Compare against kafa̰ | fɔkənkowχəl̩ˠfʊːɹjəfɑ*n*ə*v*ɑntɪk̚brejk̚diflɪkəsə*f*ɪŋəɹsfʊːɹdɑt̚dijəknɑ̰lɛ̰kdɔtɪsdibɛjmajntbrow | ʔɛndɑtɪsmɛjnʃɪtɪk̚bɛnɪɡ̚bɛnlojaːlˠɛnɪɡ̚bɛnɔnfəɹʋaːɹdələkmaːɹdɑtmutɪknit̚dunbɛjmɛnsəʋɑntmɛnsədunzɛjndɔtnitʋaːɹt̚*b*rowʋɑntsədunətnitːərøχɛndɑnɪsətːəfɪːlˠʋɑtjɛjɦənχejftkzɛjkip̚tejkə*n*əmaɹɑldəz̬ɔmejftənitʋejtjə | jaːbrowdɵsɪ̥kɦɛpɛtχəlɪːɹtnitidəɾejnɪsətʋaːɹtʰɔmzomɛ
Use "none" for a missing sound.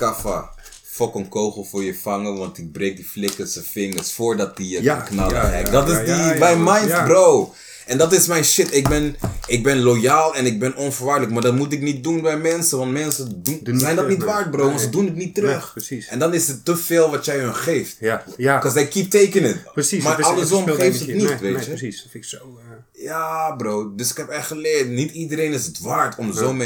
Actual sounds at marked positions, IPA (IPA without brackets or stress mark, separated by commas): ŋ, ʋ, f, b, n